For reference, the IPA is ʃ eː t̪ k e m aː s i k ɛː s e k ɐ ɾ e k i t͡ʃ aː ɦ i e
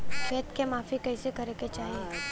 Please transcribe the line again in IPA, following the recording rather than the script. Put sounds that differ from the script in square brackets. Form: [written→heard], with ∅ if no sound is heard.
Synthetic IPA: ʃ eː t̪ k e m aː [s→f] i k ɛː s e k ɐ ɾ e k [i→e] t͡ʃ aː ɦ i e

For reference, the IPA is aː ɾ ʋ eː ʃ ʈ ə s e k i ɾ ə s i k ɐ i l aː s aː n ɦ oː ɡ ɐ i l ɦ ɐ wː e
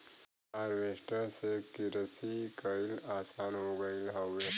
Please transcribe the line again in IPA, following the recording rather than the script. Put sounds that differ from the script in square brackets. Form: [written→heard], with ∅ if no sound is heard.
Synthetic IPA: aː ɾ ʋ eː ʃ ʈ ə s e k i ɾ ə s i k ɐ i l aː s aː n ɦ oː ɡ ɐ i l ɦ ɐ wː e

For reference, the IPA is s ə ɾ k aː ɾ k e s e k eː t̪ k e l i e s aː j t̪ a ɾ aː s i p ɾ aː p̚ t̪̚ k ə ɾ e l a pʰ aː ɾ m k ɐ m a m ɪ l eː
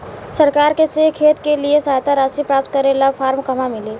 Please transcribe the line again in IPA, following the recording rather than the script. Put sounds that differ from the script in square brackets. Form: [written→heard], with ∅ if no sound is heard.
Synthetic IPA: s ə ɾ k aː ɾ k e s e [k→kʰ] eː t̪ k e l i e s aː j t̪ a ɾ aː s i p ɾ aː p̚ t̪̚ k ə ɾ e l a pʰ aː ɾ m k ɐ m a m ɪ l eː

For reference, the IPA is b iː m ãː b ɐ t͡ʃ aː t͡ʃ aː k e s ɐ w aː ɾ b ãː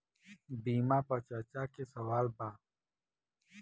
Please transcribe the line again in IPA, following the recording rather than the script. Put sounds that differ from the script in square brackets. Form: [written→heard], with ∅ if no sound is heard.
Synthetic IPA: b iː m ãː [b→p] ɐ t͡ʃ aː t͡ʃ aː k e s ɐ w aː [ɾ→l] b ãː

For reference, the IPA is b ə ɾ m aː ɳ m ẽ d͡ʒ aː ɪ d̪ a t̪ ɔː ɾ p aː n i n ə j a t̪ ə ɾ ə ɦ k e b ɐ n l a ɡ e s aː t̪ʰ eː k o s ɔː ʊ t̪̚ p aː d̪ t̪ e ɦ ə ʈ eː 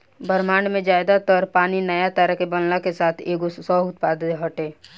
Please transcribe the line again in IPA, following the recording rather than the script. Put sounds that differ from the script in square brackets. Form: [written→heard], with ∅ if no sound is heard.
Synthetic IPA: b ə ɾ m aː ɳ m ẽ d͡ʒ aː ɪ d̪ a t̪ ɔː ɾ p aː n i n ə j a t̪ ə ɾ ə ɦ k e b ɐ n l a [ɡ→k] e s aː t̪ʰ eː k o s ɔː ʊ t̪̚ p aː d̪ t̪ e ɦ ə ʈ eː

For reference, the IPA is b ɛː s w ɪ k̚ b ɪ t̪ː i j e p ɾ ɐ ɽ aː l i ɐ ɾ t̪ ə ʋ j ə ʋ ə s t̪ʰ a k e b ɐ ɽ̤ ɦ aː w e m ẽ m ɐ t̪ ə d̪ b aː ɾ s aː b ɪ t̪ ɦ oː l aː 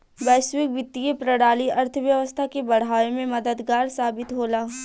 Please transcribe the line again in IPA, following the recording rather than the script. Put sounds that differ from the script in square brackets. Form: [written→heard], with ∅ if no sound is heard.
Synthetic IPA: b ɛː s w ɪ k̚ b ɪ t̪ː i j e p ɾ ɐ ɽ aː l i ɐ ɾ [t̪→t̪ʰ] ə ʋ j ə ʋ ə s t̪ʰ a k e b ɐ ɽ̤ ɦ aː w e m ẽ m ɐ [t̪→d̪] ə d̪ [b→ɡ] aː ɾ s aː b ɪ t̪ ɦ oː l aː

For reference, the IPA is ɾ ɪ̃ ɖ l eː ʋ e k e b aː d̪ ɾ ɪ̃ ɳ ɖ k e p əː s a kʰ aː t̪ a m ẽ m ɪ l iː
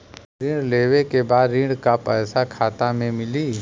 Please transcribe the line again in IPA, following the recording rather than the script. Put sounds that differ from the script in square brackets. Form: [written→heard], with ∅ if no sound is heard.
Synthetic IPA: ɾ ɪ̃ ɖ l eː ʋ e k e b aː d̪ ɾ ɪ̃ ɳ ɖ k [e→a] p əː s a kʰ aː t̪ a m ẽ m ɪ l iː

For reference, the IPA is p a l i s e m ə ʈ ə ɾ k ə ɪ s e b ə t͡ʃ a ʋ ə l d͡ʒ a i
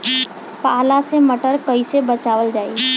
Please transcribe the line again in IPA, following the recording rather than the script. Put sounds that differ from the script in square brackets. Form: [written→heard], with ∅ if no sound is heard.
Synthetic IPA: p a l [i→a] s e m ə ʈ ə ɾ k ə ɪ s e b ə t͡ʃ a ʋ ə l d͡ʒ a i

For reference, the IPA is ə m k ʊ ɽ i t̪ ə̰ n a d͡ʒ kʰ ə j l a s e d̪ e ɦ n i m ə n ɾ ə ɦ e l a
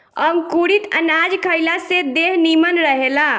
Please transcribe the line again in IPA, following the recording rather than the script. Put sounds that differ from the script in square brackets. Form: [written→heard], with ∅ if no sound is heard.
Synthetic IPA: ə m k [ʊ→u] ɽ i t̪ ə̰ n a d͡ʒ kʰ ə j l a s e d̪ e ɦ n i m ə n ɾ ə ɦ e l a

